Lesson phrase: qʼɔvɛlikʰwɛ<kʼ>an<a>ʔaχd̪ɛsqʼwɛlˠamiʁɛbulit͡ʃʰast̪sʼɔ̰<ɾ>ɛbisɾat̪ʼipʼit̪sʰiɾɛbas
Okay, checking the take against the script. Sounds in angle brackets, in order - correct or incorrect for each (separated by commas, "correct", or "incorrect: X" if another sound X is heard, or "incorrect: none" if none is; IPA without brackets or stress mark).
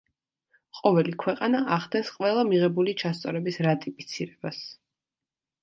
incorrect: qʼ, correct, correct